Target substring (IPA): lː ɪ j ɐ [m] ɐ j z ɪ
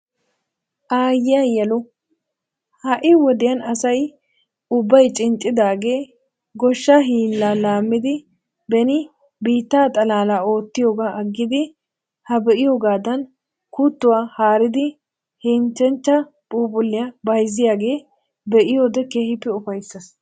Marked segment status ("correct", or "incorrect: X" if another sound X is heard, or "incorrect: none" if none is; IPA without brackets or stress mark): incorrect: b